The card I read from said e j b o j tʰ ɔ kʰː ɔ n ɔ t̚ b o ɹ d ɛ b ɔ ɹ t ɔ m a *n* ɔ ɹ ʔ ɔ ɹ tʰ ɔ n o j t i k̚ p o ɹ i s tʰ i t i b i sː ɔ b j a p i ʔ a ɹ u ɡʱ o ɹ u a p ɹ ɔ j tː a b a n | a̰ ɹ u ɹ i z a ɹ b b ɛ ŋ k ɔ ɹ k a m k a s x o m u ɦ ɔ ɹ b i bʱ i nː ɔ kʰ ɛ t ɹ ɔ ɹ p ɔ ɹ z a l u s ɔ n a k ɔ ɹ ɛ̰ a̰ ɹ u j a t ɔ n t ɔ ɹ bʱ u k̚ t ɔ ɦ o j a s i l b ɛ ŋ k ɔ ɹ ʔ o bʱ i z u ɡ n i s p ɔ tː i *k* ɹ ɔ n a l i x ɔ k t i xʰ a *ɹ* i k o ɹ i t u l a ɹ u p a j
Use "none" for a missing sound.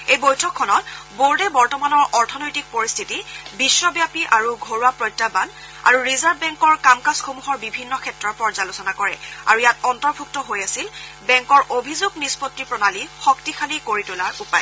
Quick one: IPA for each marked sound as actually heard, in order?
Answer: n, p, l

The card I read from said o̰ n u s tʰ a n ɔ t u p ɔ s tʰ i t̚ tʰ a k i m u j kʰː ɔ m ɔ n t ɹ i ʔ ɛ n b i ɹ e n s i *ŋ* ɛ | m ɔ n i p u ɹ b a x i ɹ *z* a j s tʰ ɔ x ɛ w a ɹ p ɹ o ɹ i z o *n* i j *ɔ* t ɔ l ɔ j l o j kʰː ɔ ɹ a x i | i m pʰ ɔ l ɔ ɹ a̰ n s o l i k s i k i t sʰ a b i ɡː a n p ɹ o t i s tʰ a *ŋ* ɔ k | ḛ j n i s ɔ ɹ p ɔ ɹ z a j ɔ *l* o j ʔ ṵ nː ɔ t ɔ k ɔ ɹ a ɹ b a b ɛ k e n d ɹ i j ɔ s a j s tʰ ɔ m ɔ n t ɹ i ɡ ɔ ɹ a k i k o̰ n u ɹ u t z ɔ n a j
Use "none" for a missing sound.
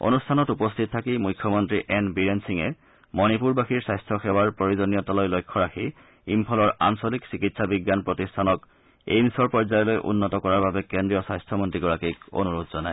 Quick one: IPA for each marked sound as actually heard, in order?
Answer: ŋ, s, n, ɔ, n, l

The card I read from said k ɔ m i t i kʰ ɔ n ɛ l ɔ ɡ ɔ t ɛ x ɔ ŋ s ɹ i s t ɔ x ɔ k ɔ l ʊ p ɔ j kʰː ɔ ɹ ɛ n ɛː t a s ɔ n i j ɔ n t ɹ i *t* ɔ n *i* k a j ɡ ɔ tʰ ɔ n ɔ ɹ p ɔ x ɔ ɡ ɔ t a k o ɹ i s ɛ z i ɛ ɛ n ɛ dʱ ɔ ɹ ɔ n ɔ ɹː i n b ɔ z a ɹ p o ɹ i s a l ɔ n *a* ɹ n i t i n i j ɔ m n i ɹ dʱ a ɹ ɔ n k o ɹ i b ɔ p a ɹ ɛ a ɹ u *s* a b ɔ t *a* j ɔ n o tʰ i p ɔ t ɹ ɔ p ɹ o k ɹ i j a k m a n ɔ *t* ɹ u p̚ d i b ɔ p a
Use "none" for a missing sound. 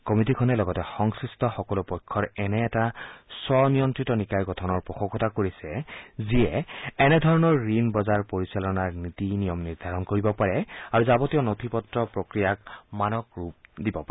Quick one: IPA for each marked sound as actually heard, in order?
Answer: t, i, a, z, i, k

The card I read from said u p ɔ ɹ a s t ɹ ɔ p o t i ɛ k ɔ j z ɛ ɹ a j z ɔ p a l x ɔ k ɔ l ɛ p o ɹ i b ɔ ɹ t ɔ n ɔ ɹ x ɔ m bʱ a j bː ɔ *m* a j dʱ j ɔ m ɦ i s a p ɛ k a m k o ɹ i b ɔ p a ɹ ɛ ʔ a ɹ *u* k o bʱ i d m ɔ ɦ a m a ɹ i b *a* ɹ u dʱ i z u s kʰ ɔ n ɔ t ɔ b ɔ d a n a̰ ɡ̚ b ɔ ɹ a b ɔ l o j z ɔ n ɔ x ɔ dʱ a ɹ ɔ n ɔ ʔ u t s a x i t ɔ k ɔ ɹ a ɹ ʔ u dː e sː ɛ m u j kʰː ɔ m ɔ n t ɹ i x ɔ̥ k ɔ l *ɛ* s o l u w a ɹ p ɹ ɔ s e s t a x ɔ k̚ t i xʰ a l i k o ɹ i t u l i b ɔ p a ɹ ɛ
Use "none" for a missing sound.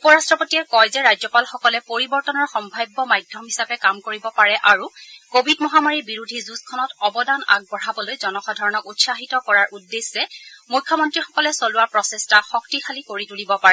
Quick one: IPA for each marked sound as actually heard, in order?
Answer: m, u, i, ɛ

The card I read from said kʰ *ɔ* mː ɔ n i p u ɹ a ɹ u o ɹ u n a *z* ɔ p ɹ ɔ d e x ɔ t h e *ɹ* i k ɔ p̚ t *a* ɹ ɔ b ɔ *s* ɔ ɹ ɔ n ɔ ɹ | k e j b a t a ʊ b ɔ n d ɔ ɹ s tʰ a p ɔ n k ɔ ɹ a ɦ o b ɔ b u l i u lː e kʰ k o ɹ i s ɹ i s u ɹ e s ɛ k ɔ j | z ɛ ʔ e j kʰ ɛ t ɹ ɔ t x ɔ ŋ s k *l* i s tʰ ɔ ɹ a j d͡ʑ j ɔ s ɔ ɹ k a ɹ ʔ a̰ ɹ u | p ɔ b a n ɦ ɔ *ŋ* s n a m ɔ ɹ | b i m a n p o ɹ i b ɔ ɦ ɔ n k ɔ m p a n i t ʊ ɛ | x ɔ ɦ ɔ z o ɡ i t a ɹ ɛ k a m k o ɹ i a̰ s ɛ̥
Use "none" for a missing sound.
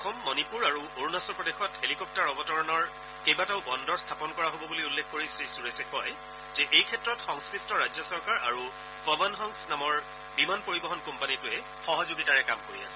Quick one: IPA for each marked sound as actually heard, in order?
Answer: ɔ, s, l, a, t, ɹ, ŋ

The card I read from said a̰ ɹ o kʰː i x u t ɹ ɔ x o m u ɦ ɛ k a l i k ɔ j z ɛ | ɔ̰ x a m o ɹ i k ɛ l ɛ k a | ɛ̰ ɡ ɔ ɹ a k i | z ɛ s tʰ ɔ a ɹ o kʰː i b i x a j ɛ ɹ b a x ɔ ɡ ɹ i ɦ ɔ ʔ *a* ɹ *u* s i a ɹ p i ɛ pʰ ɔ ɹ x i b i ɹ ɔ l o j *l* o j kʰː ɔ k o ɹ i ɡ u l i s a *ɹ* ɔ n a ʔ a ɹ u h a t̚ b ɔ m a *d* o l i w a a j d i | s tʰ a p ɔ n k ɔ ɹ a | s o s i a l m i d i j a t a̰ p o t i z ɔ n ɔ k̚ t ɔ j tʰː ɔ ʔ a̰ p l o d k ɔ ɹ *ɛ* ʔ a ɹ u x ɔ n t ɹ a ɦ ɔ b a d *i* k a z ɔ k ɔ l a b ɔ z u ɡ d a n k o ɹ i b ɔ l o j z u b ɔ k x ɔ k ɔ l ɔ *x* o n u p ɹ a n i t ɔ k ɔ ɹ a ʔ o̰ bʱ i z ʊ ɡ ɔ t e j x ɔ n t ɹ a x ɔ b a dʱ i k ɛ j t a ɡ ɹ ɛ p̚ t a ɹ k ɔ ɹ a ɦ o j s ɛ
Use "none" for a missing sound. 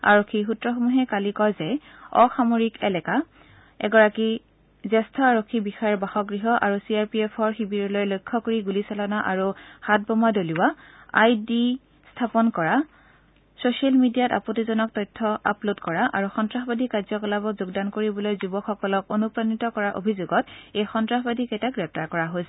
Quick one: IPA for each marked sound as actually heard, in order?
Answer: a, u, l, l, d, a, i, k

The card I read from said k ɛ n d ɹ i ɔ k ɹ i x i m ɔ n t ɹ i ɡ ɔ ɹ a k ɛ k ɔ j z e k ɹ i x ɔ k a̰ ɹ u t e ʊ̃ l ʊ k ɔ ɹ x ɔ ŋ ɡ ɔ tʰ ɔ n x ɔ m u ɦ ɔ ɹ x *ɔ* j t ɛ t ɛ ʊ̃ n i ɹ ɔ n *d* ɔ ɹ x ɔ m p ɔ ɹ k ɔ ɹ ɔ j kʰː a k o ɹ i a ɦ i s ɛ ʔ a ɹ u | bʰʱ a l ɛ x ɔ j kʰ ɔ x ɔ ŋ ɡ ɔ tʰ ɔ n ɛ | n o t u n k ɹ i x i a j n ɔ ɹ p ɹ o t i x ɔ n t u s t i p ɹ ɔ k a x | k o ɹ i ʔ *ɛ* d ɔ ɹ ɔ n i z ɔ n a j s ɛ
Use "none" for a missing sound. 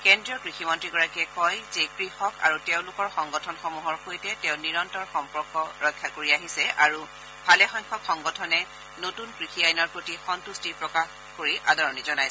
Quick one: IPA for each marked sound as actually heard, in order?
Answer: o, t, a

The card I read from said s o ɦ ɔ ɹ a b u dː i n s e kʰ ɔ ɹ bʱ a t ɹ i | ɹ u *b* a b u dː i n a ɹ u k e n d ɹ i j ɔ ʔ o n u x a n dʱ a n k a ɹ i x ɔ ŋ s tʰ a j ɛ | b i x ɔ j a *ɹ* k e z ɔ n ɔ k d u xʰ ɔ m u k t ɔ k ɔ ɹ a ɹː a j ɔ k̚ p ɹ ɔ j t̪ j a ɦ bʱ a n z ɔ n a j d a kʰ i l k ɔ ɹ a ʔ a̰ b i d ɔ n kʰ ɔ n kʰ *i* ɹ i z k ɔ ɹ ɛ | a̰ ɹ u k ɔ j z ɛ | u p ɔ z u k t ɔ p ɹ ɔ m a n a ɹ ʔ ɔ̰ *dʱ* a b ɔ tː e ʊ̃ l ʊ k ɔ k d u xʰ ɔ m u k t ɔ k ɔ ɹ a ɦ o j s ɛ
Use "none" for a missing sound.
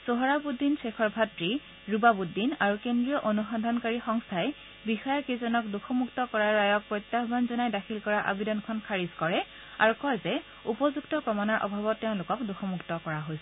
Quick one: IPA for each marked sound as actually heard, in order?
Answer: b, ɹ, a, bʱ

